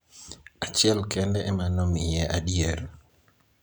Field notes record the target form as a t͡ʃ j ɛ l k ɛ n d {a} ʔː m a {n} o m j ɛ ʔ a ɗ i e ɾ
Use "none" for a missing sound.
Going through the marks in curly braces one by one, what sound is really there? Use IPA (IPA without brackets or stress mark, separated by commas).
ɛ, n